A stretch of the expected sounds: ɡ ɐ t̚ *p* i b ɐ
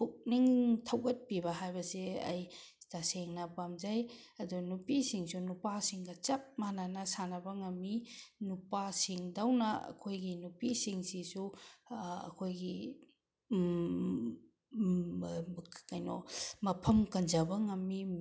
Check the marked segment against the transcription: correct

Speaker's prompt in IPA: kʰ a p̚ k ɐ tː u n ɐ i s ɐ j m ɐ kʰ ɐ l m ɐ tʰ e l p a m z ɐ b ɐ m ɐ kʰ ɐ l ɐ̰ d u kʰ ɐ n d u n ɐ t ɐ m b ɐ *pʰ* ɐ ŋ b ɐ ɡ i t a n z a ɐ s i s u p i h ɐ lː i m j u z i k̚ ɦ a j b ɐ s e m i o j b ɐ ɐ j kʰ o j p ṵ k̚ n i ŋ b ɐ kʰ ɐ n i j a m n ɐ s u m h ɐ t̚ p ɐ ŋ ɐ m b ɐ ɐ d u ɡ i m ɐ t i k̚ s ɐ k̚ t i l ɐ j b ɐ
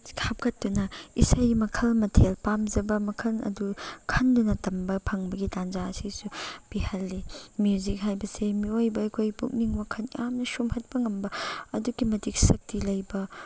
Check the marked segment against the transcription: correct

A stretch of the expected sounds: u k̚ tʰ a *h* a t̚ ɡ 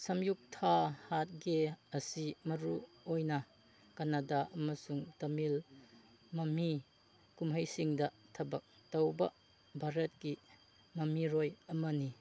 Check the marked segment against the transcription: correct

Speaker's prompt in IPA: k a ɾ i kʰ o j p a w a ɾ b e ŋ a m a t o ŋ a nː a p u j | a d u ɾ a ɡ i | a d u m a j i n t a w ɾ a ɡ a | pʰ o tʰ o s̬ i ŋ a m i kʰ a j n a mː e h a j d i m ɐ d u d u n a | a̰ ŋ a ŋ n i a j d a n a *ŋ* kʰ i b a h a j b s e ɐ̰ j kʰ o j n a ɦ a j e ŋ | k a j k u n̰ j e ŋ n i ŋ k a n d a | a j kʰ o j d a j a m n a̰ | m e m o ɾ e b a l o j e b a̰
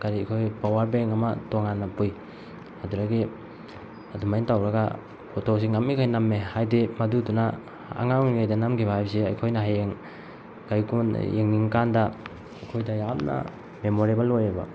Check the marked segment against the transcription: incorrect: m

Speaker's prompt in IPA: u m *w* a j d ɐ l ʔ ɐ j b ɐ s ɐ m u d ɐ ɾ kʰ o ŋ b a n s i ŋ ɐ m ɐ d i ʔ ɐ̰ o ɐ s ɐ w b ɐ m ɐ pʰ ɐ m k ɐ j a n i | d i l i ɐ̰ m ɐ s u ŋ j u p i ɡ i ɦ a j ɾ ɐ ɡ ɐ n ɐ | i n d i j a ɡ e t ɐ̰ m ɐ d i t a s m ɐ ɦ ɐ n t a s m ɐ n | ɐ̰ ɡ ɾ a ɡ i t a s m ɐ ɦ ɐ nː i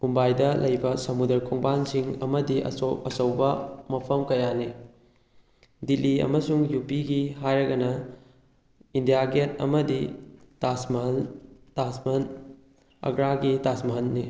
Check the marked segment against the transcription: incorrect: b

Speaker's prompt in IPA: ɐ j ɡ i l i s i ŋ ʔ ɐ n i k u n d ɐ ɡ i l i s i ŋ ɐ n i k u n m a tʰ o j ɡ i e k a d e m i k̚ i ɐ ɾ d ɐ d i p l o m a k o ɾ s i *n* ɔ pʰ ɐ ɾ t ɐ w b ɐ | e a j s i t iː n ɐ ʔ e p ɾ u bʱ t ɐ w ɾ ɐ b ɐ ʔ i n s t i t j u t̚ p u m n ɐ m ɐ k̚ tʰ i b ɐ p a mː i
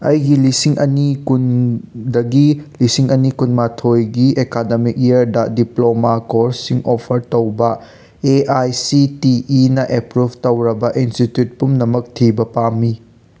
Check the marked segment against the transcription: incorrect: ŋ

